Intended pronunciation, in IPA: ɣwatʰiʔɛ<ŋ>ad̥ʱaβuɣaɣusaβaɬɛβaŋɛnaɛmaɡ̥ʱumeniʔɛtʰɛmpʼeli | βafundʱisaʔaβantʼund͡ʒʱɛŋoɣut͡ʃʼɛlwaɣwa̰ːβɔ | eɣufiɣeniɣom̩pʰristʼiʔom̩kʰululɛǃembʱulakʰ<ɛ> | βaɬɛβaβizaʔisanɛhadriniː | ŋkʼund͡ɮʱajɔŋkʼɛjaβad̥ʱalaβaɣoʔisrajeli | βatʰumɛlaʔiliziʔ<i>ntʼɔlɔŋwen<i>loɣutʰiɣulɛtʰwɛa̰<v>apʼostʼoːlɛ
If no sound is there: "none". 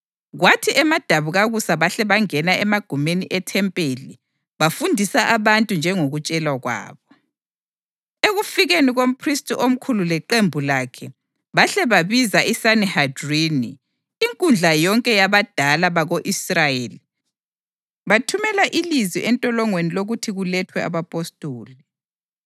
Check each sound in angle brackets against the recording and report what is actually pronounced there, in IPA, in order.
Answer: m, ɛ, ɛ, i, β

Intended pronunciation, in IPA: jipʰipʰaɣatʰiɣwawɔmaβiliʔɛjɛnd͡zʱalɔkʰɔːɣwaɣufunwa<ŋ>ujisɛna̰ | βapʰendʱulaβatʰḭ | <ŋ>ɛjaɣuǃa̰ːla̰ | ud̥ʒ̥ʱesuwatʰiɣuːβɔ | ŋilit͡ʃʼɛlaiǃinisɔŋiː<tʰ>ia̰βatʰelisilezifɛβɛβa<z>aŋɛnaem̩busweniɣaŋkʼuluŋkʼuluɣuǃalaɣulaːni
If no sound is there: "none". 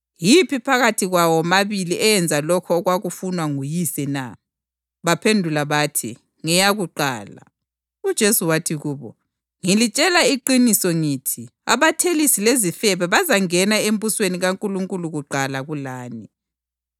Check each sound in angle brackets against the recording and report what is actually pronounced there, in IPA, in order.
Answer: ŋ, ŋ, tʰ, z

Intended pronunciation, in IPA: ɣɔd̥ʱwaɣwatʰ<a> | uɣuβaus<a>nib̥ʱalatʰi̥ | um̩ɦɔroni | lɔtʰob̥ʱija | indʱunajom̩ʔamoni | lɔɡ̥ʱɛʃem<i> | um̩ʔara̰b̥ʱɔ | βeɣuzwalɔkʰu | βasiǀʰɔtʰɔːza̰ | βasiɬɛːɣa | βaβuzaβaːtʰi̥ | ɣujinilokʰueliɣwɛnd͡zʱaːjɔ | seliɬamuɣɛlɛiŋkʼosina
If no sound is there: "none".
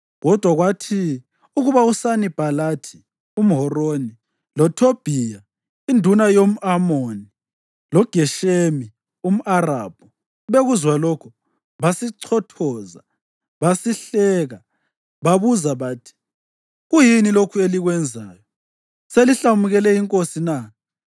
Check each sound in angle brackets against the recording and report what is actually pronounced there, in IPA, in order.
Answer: i, a, i

